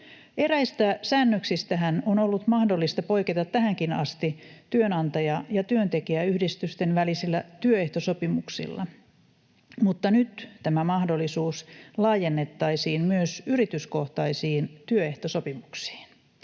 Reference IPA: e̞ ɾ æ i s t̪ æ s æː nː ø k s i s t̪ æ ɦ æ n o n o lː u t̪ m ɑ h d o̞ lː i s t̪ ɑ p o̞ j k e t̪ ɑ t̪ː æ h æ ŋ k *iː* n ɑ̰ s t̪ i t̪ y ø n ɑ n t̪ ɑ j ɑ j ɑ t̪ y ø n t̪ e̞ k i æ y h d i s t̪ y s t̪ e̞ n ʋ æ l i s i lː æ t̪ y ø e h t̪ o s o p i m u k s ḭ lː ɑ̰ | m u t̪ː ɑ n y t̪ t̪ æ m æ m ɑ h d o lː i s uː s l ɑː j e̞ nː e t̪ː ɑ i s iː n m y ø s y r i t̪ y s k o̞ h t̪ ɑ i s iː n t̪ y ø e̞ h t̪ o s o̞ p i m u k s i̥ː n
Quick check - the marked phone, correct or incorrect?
incorrect